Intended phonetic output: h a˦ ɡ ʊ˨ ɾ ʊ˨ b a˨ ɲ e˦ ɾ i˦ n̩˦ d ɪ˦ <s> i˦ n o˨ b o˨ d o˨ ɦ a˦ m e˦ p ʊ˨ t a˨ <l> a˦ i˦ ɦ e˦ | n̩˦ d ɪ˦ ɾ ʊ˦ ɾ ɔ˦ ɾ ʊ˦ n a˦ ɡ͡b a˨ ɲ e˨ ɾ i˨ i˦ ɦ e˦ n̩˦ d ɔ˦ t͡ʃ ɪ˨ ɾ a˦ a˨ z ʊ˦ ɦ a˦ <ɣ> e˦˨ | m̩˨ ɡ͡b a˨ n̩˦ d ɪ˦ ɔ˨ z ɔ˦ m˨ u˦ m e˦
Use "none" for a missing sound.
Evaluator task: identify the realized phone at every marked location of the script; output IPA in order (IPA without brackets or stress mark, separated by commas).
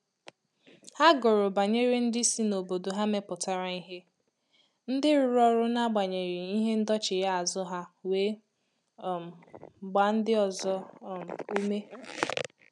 s, ɾ, w